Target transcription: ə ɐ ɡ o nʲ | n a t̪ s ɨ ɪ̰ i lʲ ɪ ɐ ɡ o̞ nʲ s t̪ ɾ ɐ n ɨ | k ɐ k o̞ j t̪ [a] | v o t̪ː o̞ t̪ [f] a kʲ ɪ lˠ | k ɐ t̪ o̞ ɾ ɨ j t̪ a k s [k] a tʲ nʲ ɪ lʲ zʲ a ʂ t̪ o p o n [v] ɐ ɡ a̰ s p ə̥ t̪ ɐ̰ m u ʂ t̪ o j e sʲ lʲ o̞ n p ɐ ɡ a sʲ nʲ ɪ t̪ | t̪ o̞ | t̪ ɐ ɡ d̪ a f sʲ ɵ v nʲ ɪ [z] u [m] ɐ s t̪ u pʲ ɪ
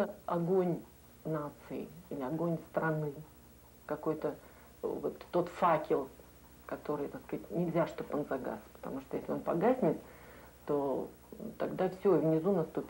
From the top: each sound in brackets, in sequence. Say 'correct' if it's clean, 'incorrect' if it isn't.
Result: incorrect: ə, correct, correct, incorrect: z, correct, incorrect: n

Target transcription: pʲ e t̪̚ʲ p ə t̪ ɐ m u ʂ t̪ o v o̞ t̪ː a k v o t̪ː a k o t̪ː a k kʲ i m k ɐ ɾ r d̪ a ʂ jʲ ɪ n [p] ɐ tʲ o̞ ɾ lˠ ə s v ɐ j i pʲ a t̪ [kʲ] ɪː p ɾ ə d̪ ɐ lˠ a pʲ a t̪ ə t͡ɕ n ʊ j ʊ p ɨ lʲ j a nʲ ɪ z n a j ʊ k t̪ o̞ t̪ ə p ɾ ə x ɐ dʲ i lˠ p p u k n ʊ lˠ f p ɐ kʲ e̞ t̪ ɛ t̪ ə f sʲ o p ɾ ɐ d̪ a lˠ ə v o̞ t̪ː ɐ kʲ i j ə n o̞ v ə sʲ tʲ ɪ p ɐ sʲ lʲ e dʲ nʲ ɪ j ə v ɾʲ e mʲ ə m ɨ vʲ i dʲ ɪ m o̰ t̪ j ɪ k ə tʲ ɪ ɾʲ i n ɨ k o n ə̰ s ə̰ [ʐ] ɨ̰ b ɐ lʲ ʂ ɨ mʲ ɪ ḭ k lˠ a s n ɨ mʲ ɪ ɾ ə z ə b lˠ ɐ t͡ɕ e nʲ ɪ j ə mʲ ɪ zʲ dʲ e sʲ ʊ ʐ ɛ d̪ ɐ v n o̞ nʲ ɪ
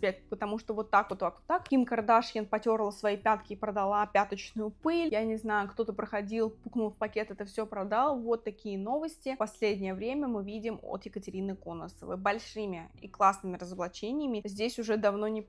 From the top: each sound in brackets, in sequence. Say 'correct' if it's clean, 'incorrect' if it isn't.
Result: correct, correct, incorrect: v

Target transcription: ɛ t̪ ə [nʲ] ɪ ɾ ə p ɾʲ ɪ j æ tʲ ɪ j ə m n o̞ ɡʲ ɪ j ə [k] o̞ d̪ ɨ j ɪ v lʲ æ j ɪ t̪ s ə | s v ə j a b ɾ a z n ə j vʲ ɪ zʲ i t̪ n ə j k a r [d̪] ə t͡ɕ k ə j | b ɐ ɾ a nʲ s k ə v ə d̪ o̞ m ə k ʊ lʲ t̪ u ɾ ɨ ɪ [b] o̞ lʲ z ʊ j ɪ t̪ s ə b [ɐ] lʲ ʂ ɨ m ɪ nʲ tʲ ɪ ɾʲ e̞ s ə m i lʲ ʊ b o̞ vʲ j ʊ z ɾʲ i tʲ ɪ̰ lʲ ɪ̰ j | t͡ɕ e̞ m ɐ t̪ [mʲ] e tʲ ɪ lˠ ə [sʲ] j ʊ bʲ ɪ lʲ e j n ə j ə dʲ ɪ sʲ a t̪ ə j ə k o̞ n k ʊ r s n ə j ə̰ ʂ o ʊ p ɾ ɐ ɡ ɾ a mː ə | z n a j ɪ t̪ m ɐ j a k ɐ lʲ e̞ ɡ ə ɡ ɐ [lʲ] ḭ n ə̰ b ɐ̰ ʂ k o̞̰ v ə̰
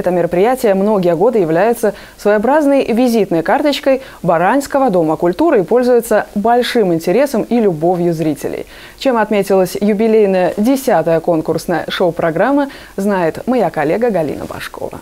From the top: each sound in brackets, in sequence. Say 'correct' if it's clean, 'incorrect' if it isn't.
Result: incorrect: mʲ, incorrect: ɡ, incorrect: t̪, incorrect: p, correct, correct, correct, correct

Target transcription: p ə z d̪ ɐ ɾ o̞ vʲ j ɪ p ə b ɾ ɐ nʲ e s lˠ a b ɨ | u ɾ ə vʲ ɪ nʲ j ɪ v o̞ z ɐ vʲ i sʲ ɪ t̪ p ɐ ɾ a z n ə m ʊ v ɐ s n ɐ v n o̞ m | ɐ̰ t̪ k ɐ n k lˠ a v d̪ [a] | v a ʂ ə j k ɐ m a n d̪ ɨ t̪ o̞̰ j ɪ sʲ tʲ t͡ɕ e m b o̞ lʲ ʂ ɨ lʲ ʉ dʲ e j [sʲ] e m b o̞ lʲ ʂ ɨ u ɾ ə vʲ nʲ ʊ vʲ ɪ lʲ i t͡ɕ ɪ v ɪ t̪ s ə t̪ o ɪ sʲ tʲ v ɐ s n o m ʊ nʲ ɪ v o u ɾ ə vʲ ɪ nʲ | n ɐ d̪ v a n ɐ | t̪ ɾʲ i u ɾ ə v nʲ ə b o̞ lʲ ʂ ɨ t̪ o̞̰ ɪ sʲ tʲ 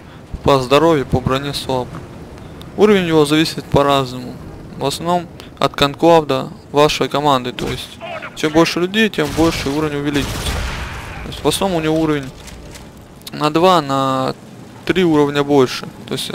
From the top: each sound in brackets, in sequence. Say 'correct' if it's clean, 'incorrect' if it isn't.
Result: incorrect: ə, incorrect: tʲ

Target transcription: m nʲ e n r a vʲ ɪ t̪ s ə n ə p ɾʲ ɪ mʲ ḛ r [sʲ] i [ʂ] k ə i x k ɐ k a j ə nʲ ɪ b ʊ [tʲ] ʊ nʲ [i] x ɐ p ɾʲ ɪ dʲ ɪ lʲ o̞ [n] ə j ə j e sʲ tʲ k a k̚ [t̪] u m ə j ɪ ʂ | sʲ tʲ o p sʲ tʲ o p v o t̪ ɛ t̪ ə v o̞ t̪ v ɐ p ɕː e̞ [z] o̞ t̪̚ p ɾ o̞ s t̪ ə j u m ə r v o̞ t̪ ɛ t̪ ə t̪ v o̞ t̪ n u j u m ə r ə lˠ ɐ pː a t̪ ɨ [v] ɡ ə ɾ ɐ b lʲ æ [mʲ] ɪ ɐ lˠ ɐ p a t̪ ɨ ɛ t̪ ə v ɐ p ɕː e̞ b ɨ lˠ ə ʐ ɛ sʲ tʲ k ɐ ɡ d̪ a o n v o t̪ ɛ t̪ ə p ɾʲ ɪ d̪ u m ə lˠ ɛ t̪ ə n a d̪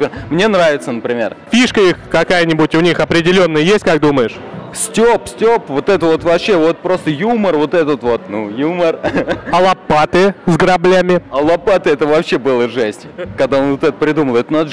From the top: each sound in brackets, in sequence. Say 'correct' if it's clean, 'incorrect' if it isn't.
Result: incorrect: fʲ, correct, correct, correct, incorrect: nː, incorrect: d̪, incorrect: v, incorrect: z, correct

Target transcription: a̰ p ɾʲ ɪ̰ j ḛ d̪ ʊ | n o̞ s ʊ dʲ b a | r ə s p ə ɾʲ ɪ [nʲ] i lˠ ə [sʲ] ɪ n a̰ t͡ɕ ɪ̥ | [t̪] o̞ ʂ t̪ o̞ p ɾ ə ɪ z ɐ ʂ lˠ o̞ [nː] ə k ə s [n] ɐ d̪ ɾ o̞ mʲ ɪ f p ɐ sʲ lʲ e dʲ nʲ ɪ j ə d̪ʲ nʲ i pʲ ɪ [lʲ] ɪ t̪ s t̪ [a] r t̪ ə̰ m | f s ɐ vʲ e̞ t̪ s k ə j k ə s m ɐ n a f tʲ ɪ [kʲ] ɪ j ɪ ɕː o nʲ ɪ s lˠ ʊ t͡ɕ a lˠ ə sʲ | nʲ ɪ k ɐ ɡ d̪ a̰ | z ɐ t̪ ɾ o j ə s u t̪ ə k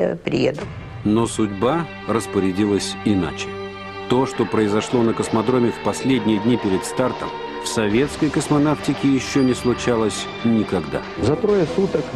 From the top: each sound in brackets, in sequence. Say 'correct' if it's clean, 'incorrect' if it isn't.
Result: incorrect: dʲ, correct, correct, incorrect: n, incorrect: m, incorrect: ɾʲ, correct, correct

